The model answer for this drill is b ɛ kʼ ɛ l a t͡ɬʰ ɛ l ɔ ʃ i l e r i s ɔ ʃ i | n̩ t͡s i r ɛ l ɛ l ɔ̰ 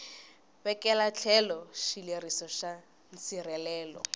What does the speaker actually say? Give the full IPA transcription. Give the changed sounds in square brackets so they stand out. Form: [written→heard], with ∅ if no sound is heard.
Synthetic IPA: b ɛ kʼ ɛ l a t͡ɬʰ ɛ l ɔ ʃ i l e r i s ɔ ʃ [i→a] | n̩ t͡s i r ɛ l [ɛ→ɛː] l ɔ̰